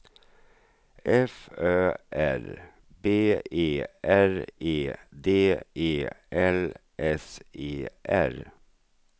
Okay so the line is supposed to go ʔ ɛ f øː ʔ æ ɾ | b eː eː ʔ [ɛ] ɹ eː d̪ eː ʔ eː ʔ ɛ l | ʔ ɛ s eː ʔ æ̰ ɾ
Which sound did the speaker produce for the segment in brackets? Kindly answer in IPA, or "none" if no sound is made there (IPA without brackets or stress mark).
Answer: æ